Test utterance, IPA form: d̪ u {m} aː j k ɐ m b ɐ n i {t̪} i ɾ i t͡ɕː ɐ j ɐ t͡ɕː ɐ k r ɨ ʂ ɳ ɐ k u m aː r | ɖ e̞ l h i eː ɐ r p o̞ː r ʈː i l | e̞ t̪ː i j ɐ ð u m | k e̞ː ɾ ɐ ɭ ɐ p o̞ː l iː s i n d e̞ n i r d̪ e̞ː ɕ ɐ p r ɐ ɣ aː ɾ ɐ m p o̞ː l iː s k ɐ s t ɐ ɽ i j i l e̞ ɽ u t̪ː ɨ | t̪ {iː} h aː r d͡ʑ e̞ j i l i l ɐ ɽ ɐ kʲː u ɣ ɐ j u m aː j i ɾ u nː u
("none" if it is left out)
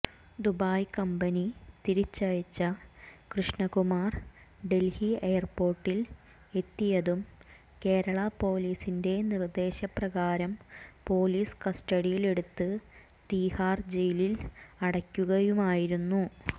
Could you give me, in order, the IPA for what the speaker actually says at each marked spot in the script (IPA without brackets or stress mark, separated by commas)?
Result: b, t̪, iː